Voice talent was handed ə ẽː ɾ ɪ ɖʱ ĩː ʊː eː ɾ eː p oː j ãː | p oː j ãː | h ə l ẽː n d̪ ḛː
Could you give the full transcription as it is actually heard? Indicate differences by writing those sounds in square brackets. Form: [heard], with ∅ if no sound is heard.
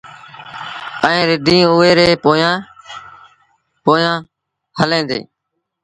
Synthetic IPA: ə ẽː ɾ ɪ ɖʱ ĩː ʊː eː ɾ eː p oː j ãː | p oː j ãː | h ə l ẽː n d̪ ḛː